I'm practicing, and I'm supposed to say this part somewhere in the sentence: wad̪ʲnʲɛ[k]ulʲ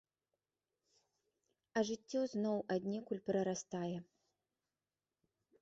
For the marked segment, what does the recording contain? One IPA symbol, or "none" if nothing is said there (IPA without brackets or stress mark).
k